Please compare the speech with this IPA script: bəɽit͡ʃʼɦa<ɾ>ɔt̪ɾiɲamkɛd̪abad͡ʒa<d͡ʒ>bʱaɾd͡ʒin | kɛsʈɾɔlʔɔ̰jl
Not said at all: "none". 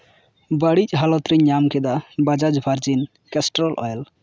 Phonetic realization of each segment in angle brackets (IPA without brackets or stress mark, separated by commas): l, d͡ʒ